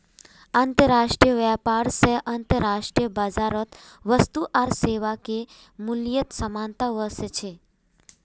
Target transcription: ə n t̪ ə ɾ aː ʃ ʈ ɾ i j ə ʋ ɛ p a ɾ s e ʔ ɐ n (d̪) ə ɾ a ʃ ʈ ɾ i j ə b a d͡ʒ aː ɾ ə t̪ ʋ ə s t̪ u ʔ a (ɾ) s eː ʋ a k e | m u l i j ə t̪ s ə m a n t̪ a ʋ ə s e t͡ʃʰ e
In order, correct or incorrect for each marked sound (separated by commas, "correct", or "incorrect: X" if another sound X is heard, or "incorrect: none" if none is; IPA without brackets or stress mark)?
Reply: incorrect: t̪, correct